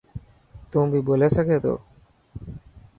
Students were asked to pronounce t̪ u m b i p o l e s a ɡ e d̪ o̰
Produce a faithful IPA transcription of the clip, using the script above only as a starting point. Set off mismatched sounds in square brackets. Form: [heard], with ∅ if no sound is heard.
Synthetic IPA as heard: t̪ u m b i [b] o l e s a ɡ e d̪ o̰